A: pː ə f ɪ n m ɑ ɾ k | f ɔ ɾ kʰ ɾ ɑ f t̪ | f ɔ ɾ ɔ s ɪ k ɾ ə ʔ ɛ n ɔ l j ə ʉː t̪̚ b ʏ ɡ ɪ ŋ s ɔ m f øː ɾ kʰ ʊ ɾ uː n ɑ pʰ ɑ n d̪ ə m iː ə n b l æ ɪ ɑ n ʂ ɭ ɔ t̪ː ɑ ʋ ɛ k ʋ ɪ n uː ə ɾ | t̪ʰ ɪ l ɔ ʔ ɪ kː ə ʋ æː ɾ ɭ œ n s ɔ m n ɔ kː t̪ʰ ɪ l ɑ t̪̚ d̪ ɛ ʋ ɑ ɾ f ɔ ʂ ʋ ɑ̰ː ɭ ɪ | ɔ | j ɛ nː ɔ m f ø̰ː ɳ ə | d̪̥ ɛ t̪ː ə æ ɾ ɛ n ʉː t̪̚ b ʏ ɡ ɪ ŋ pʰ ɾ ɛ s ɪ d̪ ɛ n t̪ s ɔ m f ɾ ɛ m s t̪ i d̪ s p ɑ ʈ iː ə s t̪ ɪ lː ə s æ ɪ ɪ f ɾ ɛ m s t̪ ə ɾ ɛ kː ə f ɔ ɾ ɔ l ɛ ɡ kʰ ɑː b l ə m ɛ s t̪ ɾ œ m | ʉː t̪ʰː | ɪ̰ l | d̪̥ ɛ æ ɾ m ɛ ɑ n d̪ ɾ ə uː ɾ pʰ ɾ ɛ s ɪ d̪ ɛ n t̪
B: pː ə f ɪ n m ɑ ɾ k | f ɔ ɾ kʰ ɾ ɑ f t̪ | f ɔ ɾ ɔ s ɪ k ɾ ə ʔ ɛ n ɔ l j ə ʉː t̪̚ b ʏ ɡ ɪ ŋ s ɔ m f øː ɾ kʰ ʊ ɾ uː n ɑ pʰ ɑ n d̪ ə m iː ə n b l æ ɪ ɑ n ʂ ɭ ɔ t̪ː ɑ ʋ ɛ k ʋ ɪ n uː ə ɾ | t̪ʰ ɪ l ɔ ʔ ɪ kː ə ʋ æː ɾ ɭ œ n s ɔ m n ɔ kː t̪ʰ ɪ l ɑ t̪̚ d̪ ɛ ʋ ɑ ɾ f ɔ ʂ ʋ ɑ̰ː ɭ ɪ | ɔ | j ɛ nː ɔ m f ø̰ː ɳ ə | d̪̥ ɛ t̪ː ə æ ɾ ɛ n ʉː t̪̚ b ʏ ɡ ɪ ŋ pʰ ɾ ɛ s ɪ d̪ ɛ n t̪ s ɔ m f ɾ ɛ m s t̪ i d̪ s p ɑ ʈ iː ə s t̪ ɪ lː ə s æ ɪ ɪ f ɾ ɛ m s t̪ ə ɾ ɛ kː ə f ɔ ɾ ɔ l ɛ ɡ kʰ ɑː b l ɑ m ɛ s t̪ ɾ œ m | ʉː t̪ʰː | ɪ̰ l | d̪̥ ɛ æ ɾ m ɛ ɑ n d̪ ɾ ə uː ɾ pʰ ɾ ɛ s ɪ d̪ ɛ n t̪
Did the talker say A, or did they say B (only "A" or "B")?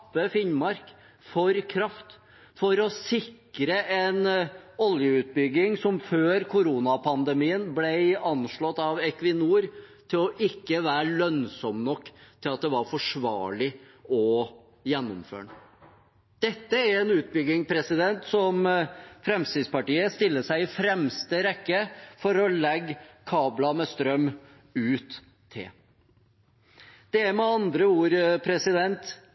B